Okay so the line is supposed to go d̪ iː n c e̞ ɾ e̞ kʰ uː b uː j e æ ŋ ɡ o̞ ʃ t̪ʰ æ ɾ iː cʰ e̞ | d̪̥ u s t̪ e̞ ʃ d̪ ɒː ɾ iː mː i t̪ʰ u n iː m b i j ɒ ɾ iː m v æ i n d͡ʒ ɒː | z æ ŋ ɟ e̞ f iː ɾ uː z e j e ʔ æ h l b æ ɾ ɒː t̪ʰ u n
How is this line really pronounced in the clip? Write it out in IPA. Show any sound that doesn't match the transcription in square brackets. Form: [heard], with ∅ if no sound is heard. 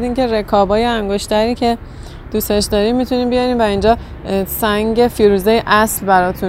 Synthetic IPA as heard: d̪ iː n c e̞ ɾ e̞ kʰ [ɒː] b [ɒː] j e æ ŋ ɡ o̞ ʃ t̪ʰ æ ɾ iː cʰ e̞ | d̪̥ u s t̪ e̞ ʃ d̪ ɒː ɾ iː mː i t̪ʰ u n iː m b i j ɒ ɾ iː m v æ i n d͡ʒ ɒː | [s] æ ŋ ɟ e̞ f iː ɾ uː z e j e ʔ æ [s] l b æ ɾ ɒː t̪ʰ u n